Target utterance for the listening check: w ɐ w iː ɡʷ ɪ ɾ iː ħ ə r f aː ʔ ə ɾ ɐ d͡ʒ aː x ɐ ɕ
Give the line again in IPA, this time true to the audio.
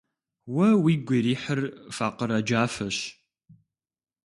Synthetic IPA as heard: w ɐ w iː ɡʷ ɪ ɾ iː ħ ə r f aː q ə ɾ ɐ d͡ʒ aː f ɐ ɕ